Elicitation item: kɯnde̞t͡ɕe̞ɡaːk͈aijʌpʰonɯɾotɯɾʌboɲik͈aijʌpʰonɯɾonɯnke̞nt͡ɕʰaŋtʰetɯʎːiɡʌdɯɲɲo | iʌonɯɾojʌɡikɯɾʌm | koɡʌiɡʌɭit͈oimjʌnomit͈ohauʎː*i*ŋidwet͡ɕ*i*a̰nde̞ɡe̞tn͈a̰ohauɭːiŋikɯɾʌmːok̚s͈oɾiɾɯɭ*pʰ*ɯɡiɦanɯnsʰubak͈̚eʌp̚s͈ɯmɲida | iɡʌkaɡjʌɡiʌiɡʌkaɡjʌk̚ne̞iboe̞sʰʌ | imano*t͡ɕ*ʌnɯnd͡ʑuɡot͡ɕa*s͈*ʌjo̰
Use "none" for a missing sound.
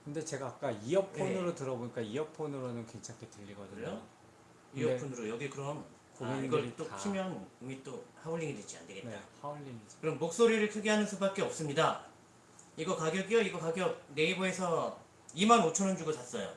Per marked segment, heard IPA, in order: i, i, kʰ, t͡ɕʰ, s͈

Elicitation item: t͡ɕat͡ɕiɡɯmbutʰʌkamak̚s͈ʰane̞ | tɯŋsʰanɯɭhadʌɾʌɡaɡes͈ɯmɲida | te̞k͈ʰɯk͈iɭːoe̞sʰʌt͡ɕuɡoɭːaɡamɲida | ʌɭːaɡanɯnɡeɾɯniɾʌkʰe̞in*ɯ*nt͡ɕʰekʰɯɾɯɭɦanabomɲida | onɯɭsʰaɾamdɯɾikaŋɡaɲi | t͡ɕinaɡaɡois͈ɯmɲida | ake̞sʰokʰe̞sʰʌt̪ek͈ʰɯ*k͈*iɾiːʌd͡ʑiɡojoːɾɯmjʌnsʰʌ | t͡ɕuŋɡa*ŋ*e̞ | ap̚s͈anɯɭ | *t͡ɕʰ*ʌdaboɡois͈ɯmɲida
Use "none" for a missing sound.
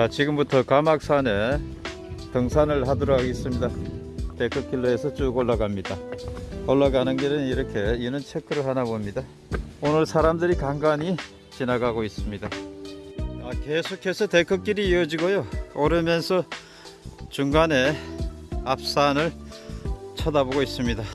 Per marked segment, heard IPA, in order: ɯ, k͈, n, t͡ɕʰ

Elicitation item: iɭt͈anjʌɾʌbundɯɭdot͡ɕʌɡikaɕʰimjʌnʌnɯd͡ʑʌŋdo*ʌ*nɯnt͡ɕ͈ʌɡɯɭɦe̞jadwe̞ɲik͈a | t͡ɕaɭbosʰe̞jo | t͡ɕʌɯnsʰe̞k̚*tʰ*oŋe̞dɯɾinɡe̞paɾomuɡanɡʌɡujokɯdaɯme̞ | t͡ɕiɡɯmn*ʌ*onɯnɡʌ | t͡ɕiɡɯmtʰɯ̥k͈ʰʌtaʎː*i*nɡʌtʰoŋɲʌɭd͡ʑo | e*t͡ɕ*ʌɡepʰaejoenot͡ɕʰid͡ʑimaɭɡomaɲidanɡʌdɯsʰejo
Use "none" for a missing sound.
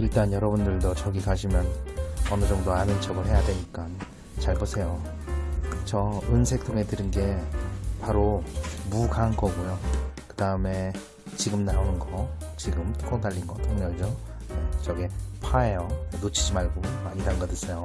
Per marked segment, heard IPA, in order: a, tʰ, a, i, t͡ɕ

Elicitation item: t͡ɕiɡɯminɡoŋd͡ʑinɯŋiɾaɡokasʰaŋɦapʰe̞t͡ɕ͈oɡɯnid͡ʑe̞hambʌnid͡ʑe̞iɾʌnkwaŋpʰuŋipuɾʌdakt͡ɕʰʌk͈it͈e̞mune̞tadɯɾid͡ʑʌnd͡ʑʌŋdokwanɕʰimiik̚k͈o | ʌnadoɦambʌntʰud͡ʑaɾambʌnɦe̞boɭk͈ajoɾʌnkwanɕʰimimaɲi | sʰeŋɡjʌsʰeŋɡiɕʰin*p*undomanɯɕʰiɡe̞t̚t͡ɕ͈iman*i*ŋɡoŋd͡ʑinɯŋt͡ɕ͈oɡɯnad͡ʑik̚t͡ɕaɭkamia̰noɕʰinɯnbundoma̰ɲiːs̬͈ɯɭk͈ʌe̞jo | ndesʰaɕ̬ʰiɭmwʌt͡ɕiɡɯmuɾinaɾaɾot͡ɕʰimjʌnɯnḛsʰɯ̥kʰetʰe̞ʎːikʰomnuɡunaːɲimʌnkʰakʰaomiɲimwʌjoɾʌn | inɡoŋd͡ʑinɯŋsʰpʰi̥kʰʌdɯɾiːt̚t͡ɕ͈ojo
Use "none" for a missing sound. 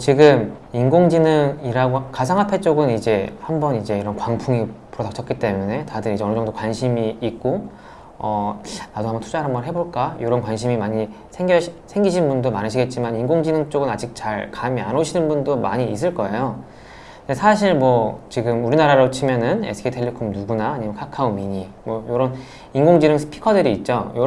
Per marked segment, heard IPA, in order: b, i

